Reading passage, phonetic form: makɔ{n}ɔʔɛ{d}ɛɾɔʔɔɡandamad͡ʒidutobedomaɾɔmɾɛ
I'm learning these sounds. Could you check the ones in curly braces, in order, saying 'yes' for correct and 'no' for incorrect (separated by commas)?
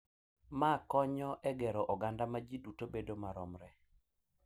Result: no, no